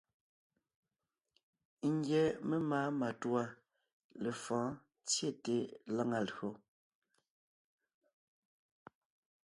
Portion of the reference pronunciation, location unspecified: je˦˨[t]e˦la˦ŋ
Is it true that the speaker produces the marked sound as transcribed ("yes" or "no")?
yes